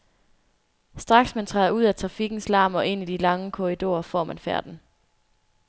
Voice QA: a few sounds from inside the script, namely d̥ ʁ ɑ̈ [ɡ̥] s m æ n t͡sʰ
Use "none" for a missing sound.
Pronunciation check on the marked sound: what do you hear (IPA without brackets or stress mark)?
ɡ̥